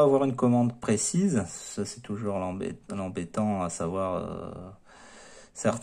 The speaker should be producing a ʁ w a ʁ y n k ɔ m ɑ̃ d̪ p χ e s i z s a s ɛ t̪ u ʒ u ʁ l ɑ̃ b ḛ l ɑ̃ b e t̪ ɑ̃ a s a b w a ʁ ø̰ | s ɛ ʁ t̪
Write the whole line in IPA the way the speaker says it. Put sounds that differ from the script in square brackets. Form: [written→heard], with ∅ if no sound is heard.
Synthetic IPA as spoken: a [ʁ→v] w a ʁ y n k ɔ m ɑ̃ d̪ p χ e s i z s a s ɛ t̪ u ʒ u ʁ l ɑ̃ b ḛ l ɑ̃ b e t̪ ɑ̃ a s a [b→v] w a ʁ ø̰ | s ɛ ʁ t̪